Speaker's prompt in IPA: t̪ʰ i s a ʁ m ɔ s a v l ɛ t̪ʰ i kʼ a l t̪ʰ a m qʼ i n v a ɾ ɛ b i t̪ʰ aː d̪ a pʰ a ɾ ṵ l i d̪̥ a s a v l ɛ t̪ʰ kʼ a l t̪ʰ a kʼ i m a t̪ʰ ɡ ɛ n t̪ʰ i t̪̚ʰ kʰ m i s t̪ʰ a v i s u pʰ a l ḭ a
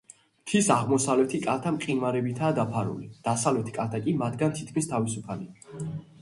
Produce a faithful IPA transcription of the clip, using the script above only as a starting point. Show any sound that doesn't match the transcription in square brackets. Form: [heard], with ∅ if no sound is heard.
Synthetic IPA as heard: t̪ʰ i s a ʁ m ɔ s a v l ɛ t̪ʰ i kʼ a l t̪ʰ a m qʼ i n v a ɾ ɛ b i t̪ʰ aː d̪ a pʰ a ɾ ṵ l i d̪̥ a s a v l ɛ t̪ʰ kʼ a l t̪ʰ a kʼ i m a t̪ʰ ɡ [a] n t̪ʰ i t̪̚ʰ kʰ m i s t̪ʰ a v i s u pʰ a l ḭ a